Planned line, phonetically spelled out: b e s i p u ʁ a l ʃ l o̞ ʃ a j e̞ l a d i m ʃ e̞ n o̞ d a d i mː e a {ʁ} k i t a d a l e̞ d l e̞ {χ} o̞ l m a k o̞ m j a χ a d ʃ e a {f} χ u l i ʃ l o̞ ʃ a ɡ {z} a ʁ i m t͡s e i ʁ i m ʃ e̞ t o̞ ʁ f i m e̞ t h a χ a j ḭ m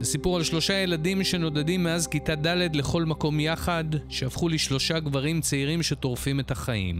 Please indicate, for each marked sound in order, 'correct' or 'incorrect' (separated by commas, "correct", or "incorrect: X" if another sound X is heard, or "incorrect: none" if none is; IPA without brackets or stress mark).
incorrect: z, correct, correct, incorrect: v